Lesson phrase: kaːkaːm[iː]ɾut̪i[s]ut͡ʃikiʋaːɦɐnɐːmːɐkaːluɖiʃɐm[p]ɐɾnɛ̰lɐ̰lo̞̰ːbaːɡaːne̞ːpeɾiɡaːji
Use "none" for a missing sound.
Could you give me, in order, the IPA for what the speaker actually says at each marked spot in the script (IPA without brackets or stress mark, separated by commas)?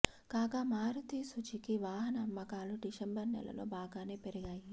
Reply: aː, s, b